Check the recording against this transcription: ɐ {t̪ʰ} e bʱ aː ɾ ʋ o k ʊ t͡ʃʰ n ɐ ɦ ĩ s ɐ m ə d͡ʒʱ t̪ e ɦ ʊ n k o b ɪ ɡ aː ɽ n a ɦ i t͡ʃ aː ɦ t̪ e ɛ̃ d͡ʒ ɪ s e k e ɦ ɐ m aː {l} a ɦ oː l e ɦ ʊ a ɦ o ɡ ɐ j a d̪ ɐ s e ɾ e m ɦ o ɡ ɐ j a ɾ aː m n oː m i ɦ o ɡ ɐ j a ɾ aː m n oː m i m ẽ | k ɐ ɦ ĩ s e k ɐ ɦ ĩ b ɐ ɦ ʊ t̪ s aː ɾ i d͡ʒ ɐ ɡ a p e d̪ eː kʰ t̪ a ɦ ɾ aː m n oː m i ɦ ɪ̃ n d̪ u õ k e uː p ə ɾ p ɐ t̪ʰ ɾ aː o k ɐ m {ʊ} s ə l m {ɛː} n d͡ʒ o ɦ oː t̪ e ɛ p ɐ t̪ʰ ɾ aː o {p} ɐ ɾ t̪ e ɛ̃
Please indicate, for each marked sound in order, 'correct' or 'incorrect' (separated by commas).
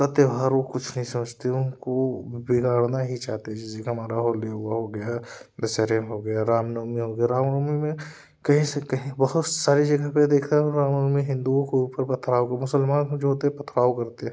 incorrect, incorrect, correct, incorrect, incorrect